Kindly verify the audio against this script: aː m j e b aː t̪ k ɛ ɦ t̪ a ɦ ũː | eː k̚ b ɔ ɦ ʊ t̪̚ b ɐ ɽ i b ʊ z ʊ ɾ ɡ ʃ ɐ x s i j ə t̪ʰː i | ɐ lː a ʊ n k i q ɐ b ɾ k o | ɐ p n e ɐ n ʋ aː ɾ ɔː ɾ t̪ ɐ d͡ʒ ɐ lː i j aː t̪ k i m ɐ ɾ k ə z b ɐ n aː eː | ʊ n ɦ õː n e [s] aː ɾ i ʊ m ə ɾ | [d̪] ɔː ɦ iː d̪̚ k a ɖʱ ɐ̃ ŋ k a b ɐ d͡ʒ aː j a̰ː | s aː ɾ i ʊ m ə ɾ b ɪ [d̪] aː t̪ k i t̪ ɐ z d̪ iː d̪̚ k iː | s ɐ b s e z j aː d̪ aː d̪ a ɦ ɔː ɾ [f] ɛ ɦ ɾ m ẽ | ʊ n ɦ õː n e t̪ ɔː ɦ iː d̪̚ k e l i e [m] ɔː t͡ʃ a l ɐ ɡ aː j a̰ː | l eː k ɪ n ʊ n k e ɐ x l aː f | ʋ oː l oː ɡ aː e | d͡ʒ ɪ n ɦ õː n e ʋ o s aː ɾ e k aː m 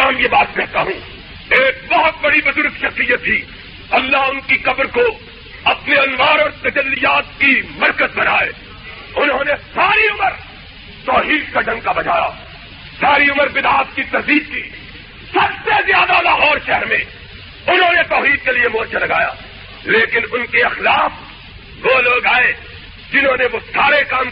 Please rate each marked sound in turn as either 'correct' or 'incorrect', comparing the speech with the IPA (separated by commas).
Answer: correct, incorrect, correct, incorrect, correct